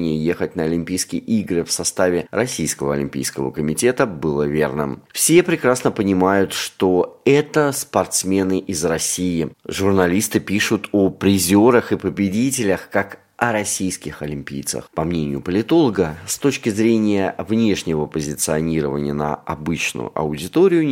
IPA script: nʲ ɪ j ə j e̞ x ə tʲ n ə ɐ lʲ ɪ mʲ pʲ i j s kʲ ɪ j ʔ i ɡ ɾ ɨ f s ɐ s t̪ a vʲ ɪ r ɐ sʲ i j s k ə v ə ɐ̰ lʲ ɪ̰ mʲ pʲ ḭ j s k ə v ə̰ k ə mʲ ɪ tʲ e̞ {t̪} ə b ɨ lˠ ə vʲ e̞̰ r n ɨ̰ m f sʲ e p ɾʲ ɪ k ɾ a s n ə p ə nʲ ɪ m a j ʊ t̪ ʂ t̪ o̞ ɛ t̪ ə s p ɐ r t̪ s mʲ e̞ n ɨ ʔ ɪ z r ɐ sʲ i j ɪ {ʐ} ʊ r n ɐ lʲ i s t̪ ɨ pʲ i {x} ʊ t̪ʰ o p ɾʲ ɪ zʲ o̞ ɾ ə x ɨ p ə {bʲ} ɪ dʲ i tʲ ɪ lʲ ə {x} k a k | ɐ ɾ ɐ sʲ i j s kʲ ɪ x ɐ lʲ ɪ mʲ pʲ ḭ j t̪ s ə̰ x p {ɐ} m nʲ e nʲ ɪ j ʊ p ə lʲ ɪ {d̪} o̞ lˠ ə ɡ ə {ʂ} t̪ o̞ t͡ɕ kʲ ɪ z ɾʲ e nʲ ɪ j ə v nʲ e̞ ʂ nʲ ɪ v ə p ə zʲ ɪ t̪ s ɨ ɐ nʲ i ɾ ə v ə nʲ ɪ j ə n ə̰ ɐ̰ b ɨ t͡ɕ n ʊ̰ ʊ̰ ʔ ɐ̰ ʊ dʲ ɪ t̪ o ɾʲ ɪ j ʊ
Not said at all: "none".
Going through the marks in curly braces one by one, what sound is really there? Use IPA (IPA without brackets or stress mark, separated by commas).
t̪, ʐ, ʂ, bʲ, x, ɐ, t̪, s